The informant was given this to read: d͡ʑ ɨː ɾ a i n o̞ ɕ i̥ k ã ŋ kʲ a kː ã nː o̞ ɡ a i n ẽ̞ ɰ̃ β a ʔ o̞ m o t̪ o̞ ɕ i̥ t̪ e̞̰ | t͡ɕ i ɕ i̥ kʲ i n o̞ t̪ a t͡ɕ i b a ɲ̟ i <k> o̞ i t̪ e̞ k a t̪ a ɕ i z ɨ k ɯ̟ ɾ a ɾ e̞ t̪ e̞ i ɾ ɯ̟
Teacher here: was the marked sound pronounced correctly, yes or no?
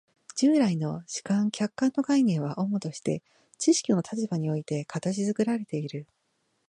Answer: no